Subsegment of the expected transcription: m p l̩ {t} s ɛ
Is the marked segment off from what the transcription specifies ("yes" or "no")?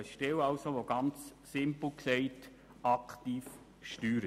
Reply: yes